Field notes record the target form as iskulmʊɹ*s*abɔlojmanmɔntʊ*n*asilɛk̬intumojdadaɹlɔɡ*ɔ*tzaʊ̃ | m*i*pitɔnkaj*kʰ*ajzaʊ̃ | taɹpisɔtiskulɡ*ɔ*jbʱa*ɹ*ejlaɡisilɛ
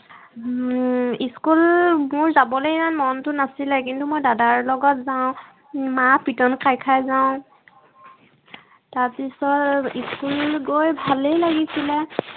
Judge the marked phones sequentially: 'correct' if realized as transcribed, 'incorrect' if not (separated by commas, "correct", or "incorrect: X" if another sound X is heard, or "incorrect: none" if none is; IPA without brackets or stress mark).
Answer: incorrect: z, correct, correct, incorrect: a, correct, incorrect: o, incorrect: l